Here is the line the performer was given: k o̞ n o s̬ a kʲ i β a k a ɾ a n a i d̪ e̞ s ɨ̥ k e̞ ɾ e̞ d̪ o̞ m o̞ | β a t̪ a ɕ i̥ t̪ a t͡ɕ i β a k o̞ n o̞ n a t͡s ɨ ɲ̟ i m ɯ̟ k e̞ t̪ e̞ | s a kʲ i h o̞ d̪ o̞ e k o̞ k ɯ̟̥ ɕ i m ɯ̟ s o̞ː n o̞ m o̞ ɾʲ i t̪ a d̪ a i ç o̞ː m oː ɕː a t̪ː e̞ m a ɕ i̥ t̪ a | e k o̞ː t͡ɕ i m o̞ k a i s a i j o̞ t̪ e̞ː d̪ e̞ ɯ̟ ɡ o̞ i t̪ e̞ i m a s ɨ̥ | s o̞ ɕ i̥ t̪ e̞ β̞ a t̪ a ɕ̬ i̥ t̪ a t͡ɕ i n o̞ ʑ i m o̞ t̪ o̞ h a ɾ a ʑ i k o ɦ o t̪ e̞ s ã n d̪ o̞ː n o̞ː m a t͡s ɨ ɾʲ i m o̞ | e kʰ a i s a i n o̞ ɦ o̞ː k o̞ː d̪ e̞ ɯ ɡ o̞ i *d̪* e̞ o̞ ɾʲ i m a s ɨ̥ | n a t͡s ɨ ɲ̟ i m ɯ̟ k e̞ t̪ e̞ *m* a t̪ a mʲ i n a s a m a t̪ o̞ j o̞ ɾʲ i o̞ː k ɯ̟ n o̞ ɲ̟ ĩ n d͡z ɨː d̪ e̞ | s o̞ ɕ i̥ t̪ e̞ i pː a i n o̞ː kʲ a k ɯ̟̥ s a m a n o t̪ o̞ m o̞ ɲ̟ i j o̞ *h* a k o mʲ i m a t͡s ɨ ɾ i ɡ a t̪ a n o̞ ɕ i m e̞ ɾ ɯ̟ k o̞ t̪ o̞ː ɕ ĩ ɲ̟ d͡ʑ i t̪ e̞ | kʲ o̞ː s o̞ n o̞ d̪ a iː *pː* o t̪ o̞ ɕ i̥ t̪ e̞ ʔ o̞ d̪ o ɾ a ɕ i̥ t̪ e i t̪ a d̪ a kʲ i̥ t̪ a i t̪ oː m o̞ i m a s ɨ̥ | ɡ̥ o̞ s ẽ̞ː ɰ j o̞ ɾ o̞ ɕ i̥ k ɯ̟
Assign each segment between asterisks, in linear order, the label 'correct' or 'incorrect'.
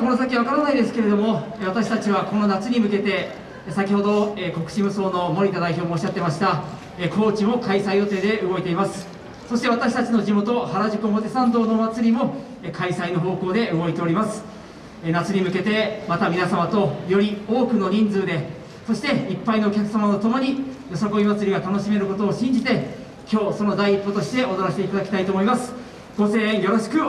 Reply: incorrect, correct, incorrect, correct

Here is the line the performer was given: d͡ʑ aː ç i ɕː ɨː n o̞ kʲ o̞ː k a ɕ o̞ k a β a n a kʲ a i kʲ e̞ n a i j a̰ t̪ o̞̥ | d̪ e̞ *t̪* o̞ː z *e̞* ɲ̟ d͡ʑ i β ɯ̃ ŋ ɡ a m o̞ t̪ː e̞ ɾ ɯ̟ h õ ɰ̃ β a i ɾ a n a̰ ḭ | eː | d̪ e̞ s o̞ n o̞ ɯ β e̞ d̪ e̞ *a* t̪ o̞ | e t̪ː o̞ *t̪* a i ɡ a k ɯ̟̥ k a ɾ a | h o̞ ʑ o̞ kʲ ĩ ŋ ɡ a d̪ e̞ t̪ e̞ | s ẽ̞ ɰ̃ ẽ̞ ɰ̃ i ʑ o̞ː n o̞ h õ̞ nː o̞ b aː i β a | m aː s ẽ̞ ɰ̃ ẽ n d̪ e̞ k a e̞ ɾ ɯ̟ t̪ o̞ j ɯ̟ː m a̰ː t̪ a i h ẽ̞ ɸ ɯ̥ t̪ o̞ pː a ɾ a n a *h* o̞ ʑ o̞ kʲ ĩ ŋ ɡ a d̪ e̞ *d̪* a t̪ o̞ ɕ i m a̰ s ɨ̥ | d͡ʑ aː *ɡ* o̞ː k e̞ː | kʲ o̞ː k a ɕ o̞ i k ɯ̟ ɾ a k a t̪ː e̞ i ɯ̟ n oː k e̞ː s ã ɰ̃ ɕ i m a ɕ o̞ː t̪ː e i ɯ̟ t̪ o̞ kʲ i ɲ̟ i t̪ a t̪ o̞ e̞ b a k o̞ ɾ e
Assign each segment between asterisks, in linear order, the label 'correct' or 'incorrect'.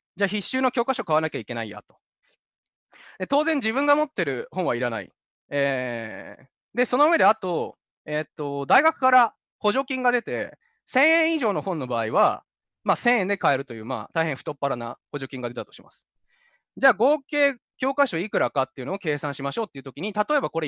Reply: correct, incorrect, correct, incorrect, correct, incorrect, correct

